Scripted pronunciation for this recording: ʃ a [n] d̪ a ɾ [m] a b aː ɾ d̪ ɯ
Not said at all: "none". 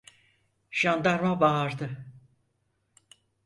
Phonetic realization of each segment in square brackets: n, m

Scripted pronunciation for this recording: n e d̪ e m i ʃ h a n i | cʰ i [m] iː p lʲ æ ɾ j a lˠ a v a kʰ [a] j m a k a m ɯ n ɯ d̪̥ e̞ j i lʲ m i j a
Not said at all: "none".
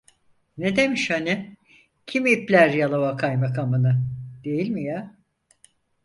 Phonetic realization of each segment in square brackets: m, a

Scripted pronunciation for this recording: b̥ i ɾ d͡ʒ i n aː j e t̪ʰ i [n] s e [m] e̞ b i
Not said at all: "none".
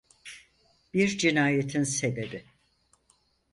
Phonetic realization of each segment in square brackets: n, b

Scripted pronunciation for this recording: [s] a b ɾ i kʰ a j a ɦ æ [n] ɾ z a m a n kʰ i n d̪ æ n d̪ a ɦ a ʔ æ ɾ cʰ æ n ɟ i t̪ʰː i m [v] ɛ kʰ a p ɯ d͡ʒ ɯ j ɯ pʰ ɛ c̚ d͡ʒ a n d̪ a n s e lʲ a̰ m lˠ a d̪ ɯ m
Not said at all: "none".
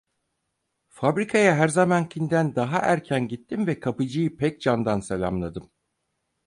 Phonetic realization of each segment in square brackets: f, none, v

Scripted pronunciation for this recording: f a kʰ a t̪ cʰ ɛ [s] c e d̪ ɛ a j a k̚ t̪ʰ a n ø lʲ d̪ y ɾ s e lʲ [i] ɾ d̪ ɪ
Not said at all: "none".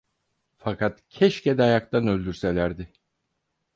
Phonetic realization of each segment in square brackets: ʃ, æ

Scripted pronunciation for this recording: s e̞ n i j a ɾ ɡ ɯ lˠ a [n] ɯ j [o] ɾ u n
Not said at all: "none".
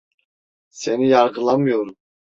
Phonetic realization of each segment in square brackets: m, o

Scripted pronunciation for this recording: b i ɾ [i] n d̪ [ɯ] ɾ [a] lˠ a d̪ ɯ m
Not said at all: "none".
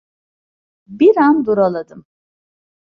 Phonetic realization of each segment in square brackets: a, u, a

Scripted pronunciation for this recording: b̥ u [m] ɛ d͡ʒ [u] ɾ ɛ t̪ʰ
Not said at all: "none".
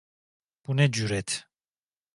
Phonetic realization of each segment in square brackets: n, u

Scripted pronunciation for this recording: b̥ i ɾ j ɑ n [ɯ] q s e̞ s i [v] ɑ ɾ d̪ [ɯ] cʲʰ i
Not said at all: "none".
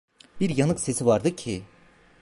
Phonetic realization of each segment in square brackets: ɯ, v, ɯ

